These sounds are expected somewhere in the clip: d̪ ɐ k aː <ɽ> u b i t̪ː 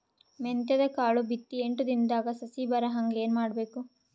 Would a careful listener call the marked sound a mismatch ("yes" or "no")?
yes